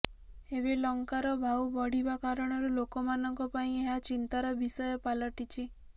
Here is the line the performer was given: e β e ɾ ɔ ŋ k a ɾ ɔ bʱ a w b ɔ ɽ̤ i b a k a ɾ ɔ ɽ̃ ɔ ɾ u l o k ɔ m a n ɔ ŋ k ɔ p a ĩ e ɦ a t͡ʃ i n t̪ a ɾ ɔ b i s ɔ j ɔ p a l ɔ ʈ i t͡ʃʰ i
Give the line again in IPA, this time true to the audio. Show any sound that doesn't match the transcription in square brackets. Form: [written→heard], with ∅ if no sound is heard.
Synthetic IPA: e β e [ɾ→l] ɔ ŋ k a ɾ ɔ bʱ a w b ɔ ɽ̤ i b a k a ɾ ɔ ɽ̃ ɔ ɾ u l o k ɔ m a n ɔ ŋ k ɔ p a ĩ e ɦ a t͡ʃ i n t̪ a ɾ ɔ b i s ɔ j ɔ p a l ɔ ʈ i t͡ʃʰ i